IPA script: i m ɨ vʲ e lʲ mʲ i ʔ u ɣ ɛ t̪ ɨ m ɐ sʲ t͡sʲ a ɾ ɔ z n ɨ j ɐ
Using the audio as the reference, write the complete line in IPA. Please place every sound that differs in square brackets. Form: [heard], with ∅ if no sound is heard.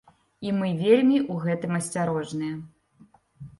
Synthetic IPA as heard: i m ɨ vʲ e lʲ mʲ i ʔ u ɣ ɛ t̪ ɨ m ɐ sʲ t͡sʲ a ɾ ɔ [ʐ] n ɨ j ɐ